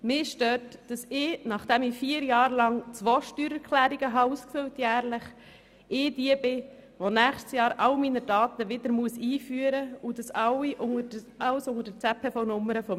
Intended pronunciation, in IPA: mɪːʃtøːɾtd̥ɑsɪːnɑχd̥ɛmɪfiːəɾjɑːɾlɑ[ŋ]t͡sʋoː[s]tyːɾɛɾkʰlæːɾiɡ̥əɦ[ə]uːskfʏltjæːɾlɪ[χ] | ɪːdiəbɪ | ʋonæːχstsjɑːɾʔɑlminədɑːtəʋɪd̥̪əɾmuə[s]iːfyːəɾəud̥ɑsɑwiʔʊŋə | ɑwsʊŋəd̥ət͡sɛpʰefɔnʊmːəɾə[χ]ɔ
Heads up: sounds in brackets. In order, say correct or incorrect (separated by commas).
correct, incorrect, incorrect, correct, correct, incorrect